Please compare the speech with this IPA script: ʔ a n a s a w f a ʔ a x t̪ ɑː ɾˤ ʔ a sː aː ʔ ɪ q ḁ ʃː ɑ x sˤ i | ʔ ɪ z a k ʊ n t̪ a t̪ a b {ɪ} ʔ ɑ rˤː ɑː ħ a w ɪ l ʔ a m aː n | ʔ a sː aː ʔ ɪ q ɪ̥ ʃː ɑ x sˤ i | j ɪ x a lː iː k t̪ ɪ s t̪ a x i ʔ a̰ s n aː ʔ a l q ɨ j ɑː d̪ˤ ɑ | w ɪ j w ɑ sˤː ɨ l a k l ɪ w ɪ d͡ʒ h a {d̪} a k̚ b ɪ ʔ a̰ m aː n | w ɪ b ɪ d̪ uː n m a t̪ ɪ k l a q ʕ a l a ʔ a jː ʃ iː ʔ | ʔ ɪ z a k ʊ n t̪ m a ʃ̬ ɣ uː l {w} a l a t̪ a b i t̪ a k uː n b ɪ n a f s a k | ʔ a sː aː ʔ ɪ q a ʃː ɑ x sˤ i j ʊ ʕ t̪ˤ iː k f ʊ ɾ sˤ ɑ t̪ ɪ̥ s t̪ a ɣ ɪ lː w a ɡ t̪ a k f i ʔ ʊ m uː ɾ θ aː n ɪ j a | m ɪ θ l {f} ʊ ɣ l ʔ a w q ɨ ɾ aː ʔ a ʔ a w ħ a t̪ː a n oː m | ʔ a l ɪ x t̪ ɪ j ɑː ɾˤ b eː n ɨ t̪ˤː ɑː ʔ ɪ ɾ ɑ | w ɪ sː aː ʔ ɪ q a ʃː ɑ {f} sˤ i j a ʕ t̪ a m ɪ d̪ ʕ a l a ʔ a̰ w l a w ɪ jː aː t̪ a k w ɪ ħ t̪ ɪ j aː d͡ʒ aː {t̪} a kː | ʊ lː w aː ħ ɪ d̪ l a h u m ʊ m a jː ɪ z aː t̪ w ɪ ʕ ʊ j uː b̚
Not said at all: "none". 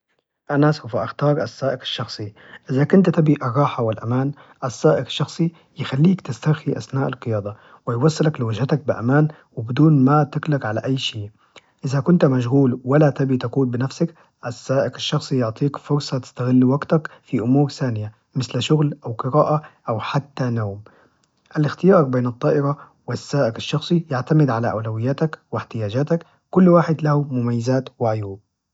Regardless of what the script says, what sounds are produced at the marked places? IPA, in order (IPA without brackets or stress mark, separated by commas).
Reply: i, t̪, w, ʃ, x, t̪